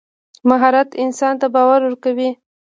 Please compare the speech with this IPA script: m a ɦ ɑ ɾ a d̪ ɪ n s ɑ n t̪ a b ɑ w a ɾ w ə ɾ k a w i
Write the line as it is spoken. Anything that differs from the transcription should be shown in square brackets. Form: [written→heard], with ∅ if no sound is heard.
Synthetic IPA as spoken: m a ɦ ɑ ɾ a [d̪→t̪] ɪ n s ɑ n t̪ a b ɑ w a ɾ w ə ɾ k a w i